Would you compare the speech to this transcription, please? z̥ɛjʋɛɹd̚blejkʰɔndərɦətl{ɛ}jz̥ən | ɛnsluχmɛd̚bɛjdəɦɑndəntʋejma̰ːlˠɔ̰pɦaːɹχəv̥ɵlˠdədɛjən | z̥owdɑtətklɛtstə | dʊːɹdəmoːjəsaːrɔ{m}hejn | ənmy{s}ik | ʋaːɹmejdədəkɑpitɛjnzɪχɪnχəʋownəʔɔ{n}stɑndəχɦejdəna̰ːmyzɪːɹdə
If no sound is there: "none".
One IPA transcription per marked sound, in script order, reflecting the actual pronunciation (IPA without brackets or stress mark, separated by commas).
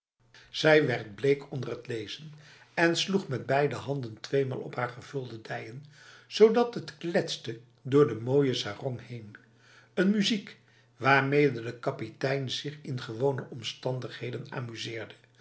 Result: e, ŋ, z, m